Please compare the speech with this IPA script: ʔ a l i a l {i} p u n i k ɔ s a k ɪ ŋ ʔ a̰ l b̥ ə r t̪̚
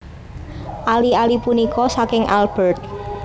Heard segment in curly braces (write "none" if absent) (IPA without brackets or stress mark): i